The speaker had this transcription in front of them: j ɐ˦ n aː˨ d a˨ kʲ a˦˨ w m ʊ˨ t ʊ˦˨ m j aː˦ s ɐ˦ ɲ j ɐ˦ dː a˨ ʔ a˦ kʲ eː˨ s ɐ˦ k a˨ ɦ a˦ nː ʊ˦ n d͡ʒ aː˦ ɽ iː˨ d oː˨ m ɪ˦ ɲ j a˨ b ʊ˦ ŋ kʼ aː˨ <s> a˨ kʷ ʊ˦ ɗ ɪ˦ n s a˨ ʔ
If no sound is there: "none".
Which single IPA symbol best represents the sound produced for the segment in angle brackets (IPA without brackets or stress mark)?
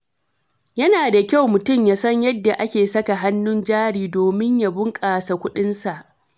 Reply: s